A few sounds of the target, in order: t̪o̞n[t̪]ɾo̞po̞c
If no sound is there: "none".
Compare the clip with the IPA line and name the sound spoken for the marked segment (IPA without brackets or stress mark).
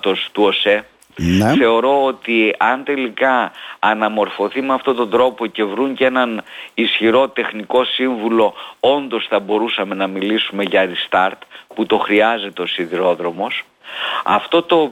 d̪